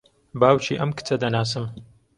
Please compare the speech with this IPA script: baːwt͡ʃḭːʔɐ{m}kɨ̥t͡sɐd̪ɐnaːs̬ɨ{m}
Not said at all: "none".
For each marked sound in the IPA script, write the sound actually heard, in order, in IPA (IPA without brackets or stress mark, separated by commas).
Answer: m, m